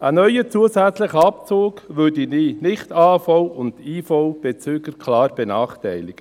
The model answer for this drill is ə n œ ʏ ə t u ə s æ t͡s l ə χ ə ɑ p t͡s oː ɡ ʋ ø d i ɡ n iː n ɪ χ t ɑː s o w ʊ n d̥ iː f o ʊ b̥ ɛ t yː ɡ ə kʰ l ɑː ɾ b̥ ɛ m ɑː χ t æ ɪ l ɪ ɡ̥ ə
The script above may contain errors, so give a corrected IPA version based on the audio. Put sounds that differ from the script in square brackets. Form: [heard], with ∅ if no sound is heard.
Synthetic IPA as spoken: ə n œ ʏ ə [t͡s] u ə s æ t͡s l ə χ ə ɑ p t͡s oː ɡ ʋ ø d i [∅] n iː n ɪ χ t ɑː [f] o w ʊ n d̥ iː f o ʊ b̥ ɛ [t͡s] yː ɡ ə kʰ l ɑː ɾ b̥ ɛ [n] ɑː χ t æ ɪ l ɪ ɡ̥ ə